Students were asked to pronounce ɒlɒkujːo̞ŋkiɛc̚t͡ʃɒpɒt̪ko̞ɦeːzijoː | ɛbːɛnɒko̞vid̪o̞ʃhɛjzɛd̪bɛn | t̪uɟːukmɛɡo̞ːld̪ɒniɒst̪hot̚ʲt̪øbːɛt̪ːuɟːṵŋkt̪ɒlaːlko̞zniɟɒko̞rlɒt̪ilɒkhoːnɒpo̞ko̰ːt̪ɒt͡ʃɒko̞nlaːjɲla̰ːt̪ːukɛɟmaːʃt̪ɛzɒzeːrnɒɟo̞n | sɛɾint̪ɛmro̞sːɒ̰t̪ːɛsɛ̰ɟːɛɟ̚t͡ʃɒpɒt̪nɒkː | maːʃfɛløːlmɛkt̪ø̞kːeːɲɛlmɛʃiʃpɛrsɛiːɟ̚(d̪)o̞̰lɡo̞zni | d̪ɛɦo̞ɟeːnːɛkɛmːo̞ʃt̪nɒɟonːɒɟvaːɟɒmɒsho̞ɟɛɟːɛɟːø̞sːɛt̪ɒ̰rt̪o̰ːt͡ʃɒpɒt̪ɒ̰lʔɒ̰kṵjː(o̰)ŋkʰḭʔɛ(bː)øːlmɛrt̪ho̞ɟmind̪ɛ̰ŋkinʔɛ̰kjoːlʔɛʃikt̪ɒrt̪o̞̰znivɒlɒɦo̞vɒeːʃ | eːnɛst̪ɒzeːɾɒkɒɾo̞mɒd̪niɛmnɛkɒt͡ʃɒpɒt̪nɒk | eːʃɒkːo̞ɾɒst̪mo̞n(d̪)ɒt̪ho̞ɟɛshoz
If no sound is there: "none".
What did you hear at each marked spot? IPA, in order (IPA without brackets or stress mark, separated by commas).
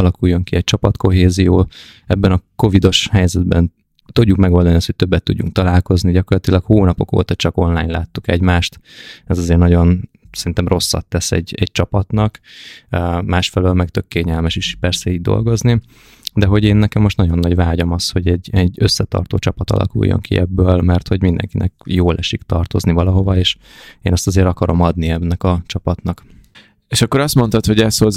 d̪, o̰, bː, t̪